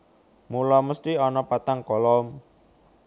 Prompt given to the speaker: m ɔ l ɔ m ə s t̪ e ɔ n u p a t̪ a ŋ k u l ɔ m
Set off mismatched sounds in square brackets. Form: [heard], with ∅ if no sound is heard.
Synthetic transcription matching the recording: m [u] l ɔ m ə s t̪ [i] ɔ n [ɔ] p a t̪ a ŋ k [ɔ] l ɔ m